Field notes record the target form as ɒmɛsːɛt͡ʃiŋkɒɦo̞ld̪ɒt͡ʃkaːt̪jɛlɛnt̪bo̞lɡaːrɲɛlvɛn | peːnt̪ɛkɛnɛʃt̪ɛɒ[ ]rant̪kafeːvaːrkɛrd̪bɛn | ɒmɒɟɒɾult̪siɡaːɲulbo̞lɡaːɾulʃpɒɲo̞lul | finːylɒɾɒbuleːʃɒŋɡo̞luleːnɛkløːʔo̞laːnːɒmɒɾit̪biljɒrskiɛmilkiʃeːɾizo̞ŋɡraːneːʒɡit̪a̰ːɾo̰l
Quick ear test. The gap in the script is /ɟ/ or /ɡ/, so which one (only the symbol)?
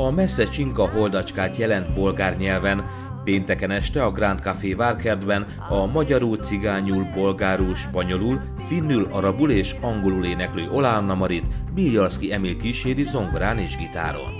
ɡ